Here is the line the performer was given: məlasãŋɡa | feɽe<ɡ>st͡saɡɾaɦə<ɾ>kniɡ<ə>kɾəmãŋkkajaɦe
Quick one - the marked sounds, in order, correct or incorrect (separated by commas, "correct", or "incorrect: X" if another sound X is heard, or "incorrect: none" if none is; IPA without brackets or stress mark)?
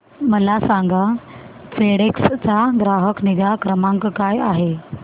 incorrect: k, incorrect: none, incorrect: a